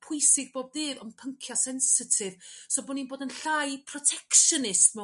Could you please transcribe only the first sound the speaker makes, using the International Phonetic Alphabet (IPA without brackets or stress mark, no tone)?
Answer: pʰ